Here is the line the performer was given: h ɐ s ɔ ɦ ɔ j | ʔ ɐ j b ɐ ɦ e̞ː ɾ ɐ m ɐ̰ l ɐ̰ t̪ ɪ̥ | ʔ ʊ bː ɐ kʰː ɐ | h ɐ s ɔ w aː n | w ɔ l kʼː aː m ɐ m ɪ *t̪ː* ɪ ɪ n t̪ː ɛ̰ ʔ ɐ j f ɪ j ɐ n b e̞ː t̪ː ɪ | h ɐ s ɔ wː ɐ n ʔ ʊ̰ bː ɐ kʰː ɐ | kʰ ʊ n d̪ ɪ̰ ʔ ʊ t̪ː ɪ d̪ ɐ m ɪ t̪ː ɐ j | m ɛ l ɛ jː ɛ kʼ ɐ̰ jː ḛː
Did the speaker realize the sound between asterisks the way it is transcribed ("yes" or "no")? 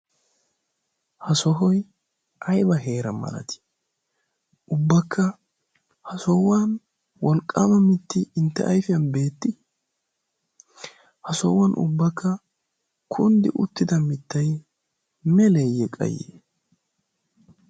yes